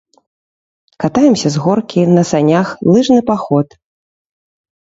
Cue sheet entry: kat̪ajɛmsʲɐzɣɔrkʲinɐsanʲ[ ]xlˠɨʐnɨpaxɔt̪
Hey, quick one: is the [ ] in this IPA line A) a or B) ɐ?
A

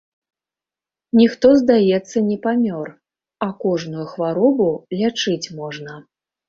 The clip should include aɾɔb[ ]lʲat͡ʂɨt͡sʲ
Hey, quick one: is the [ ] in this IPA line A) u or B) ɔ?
A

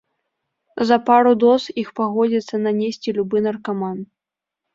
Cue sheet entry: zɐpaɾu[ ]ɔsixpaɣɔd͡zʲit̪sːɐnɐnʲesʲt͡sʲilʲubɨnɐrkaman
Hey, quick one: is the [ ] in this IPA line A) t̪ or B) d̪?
B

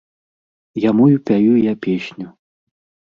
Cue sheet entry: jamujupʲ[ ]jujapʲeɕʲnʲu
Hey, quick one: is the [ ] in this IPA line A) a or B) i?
A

